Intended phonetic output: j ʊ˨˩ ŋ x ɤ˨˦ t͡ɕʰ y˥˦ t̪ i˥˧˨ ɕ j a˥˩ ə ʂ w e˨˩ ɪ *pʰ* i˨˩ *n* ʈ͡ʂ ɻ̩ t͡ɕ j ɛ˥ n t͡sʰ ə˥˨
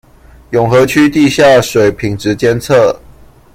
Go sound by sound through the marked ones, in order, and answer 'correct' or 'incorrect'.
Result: correct, incorrect: ŋ

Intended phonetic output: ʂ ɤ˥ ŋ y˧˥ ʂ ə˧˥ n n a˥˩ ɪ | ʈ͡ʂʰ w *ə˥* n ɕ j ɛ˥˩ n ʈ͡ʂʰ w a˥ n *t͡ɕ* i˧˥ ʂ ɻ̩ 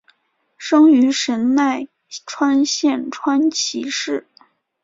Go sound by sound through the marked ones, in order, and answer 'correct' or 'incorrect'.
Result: incorrect: a˥, incorrect: t͡ɕʰ

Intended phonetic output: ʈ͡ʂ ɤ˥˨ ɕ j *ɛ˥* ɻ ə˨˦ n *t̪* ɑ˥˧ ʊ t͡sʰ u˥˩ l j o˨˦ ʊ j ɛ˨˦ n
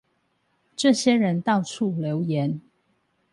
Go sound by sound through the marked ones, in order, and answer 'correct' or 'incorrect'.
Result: correct, correct

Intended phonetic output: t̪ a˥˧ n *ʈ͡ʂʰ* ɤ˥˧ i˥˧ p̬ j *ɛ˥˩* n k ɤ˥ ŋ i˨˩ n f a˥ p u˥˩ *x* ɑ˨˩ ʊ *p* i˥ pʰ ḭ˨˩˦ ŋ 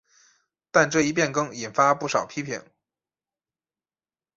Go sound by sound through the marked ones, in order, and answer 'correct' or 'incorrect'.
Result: incorrect: ʈ͡ʂ, correct, incorrect: ʂ, incorrect: pʰ

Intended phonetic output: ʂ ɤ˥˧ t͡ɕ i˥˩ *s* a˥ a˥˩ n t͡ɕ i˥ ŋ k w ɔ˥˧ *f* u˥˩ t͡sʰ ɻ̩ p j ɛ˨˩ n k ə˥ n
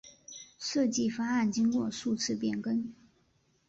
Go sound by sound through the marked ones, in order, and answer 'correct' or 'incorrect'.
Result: incorrect: f, incorrect: ʂ

